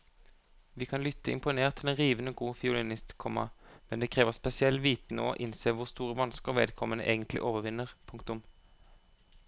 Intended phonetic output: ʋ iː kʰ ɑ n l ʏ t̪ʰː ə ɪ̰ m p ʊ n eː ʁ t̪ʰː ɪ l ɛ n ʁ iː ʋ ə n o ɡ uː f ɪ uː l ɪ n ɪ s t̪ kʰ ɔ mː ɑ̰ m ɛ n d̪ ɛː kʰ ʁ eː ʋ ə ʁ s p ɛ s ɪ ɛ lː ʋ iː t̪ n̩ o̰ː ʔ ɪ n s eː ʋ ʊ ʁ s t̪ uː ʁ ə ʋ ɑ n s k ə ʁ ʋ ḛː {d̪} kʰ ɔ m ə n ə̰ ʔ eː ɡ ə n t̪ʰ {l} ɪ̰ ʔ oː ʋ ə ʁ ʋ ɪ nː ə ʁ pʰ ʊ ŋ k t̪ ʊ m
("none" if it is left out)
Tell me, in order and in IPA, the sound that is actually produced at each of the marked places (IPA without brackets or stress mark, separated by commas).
d̪, l